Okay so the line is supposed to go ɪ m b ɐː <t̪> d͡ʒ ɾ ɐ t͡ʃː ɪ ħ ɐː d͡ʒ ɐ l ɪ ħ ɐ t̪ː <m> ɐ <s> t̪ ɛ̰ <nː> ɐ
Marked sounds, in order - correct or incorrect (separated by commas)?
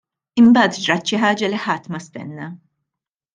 correct, correct, correct, correct